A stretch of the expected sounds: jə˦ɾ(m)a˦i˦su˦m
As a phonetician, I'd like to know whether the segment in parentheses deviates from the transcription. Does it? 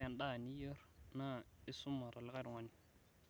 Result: yes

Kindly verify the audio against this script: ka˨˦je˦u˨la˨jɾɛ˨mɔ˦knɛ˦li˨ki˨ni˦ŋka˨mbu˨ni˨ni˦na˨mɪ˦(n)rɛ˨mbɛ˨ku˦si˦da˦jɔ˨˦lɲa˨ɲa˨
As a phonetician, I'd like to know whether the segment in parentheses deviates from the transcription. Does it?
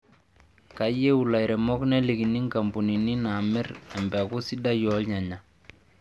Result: yes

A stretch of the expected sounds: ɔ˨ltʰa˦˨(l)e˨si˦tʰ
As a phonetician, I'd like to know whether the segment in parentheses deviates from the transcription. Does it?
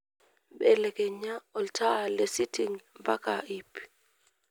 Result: no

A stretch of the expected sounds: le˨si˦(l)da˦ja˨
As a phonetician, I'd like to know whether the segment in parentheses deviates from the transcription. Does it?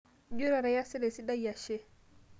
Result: yes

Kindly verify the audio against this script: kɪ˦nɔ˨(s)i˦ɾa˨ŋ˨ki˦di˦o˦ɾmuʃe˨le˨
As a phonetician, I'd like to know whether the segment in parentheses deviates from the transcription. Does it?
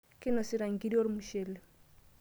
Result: no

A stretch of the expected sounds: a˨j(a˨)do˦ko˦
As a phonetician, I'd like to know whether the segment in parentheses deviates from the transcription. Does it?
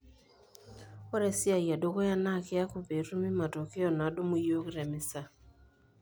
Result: no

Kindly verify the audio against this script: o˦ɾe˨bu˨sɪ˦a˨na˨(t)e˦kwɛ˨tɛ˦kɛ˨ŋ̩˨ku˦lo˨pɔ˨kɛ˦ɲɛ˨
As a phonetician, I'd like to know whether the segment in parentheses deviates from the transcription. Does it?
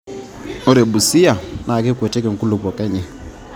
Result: yes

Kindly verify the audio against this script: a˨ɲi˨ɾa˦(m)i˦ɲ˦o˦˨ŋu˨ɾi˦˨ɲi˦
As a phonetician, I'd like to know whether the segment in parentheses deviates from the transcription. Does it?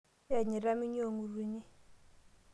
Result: no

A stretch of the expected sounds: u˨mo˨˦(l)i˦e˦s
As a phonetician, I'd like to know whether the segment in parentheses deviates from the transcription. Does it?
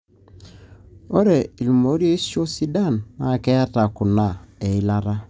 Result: yes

